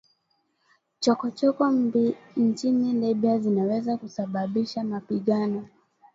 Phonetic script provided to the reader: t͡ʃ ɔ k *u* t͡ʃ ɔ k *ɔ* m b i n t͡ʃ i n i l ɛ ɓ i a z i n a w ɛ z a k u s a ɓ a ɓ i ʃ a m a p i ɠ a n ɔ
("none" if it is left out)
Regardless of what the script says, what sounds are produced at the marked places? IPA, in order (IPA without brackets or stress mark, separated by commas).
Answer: ɔ, ɔ